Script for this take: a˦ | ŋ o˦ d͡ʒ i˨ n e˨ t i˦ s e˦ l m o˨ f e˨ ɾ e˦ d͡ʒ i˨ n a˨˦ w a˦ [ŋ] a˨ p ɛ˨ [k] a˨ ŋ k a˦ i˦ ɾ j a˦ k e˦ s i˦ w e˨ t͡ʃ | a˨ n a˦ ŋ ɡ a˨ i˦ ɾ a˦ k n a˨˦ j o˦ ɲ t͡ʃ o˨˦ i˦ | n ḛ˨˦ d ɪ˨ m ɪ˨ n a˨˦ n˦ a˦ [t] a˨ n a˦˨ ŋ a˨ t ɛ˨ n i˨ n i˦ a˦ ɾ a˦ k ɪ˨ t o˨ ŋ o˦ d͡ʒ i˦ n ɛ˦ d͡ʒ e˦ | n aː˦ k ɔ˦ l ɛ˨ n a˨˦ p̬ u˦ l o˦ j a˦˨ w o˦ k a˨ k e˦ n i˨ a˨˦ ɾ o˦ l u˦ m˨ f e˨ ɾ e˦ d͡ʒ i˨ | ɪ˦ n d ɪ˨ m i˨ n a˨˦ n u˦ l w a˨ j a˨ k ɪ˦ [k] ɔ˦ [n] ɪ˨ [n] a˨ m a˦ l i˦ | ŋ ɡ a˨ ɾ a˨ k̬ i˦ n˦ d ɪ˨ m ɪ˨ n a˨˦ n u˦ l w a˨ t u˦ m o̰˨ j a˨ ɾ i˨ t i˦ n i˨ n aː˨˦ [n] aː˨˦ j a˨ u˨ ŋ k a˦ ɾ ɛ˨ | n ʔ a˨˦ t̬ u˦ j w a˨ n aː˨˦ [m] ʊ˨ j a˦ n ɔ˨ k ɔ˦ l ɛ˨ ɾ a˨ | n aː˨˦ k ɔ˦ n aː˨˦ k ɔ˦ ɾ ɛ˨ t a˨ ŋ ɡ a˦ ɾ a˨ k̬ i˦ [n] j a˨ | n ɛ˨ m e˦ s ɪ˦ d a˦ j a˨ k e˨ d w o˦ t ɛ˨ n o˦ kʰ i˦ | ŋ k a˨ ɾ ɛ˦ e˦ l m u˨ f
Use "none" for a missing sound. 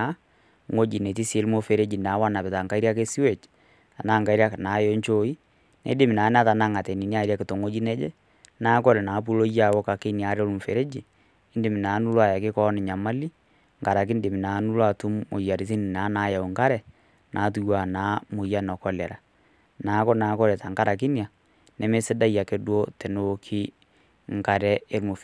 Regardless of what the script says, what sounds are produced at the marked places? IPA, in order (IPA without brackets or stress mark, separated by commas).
n, t, t, k, n, ɲ, n, m, n